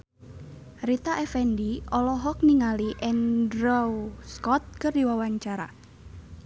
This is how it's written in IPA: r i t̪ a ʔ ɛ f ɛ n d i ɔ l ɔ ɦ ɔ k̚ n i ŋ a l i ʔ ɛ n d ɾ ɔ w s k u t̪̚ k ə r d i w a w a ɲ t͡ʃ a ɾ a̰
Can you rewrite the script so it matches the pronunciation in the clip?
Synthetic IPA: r i t̪ a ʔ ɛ f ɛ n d i ɔ l ɔ ɦ ɔ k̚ n i ŋ a l i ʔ ɛ n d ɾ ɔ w s k ɔ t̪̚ k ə r d i w a w a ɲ t͡ʃ a ɾ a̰